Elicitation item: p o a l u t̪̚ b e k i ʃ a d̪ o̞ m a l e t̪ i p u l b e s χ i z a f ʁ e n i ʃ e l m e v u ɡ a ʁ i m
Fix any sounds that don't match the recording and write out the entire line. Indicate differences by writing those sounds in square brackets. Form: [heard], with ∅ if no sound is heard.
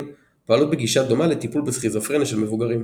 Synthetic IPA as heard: p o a l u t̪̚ b e [ɡ] i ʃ a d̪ o̞ m a l e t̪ i p u l b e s χ i z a f ʁ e n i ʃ e l m e v u ɡ a ʁ i m

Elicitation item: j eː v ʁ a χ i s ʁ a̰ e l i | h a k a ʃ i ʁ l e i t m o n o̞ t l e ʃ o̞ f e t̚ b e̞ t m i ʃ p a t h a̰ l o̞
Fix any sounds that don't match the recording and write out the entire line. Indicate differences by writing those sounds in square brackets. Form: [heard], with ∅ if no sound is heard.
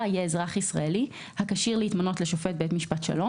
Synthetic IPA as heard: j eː [z] ʁ a χ i s ʁ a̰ e l i | h a k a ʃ i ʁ l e i t m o n o̞ t l e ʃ o̞ f e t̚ b e̞ t m i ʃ p a t [ʃ] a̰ l o̞

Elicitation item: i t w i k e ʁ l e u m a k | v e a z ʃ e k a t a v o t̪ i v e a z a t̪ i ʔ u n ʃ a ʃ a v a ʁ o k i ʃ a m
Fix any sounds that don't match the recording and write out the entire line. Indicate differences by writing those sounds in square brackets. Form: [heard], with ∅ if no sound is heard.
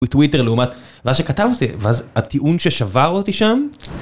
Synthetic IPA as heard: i t w i [t] e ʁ l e u m a [t] | v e a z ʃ e k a t a v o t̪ i v e a z a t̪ i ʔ u n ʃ [e] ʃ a v a ʁ o [t] i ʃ a m

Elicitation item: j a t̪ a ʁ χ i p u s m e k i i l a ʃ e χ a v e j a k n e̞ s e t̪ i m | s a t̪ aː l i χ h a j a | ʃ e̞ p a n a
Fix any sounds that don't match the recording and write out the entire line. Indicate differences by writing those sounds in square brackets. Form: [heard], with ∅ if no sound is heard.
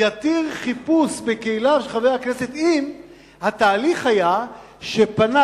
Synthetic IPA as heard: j a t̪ [i] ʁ χ i p u s [b] e k [e] i l a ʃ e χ a v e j a k n e̞ s e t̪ i m | [h] a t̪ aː l i χ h a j a | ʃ e̞ p a n a

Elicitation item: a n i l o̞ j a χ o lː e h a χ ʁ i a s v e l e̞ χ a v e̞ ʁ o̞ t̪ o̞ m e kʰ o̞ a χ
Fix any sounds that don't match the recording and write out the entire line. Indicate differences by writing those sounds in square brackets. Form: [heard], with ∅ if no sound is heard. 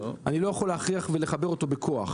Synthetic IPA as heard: a n i l o̞ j a χ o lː e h a χ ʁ i a [χ] v e l e̞ χ a [b] e̞ ʁ o̞ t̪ o̞ [b] e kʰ o̞ a χ

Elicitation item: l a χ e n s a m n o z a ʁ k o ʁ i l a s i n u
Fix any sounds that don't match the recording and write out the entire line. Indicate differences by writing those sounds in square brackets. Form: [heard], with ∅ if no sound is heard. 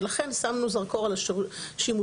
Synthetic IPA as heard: l a χ e n s a m n [u] z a ʁ k o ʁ [a] l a [ʃ] i [m] u

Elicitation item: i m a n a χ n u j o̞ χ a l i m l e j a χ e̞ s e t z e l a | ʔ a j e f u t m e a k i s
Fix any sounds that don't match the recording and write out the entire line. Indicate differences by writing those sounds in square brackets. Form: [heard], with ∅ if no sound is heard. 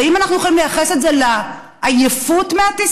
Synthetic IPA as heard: i m a n a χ n u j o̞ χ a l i m l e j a χ e̞ s e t z e l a | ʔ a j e f u t m e a [t] i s

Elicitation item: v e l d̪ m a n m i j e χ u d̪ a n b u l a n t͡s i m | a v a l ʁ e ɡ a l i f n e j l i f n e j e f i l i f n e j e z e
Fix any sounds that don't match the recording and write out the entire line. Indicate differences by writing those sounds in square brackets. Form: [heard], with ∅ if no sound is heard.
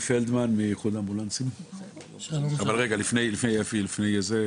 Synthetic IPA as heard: [f] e l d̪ m a n m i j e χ u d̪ a [m] b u l a n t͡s i m | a v a l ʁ e ɡ a l i f n e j l i f n e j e f i l i f n e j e z e

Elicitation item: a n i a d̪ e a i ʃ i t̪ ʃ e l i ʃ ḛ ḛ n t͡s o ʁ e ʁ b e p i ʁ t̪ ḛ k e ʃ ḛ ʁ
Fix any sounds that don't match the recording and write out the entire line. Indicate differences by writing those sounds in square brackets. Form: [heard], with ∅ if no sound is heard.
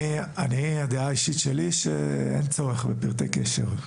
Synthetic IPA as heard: a n i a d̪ e a i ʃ i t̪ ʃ e l i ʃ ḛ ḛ n t͡s o ʁ e [χ] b e p i ʁ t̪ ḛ k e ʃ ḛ ʁ

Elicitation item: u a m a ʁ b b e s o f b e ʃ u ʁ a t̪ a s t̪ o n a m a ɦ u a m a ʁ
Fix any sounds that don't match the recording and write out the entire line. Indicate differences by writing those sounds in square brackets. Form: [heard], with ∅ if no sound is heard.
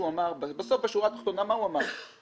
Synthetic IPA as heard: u a m a ʁ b b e s o f b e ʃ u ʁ a t̪ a [χ] t̪ o n a m a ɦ u a m a ʁ

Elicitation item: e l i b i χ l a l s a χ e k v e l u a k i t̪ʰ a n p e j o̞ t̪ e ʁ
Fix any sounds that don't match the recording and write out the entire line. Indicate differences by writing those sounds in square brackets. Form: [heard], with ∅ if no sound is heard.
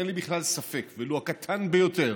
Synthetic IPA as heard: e l i b i χ l a l s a [f] e k v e l u a k [a] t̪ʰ a n [b] e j o̞ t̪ e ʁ

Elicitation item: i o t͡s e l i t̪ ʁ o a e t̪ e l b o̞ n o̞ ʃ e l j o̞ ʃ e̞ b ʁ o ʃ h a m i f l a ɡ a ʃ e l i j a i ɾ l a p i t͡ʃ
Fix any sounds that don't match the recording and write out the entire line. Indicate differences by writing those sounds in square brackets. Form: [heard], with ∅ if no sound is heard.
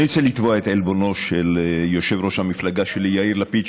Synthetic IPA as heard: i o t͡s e l i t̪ [v] o a e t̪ e l b o̞ n o̞ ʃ e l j o̞ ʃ e̞ [v] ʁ o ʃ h a m i f l a ɡ a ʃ e l i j a i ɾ l a p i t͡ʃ

